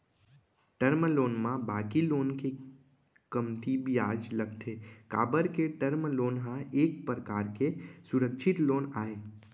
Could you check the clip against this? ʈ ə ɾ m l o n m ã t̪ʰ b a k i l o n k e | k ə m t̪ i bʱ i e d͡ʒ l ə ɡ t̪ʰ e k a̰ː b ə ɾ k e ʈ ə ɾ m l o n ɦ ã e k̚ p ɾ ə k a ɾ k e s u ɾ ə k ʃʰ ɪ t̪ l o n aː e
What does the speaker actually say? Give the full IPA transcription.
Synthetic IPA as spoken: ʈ ə ɾ m l o n m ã b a k i l o n k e | k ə m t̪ i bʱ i a d͡ʒ l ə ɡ t̪ʰ e k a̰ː b ə ɾ k e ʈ ə ɾ m l o n ɦ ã e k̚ p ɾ ə k a ɾ k e s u ɾ ə k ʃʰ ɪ t̪ l o n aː e